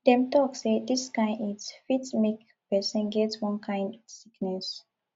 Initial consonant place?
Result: alveolar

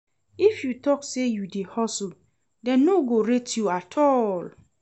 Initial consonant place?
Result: labial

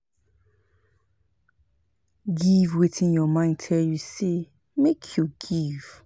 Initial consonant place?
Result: velar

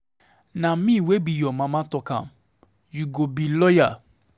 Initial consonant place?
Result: alveolar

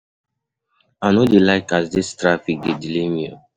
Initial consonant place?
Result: alveolar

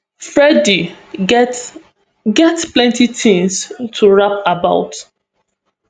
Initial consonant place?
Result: labial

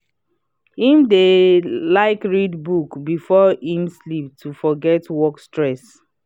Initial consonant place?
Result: glottal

